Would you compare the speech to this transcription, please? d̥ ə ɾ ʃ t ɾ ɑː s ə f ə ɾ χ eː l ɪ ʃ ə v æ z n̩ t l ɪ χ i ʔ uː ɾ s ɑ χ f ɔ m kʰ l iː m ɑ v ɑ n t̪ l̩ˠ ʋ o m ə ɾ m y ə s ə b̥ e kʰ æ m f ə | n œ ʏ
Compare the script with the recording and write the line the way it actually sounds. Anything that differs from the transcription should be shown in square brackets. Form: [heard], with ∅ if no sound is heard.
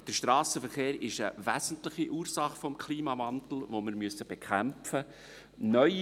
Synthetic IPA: d̥ ə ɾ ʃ t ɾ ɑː s ə f ə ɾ χ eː [ɾ] ɪ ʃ ə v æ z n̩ t l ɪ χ i ʔ uː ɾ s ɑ χ f ɔ m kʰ l iː m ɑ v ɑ n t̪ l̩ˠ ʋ o m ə ɾ m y ə s ə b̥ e kʰ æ m f ə | n œ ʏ